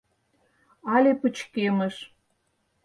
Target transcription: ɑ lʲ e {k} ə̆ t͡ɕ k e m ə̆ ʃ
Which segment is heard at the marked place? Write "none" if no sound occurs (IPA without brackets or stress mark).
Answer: p